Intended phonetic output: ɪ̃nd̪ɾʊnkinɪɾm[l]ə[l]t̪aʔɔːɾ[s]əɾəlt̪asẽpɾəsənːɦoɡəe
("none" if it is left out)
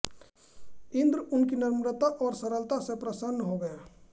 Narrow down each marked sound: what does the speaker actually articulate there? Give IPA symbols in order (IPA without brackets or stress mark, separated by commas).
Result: ɾ, none, s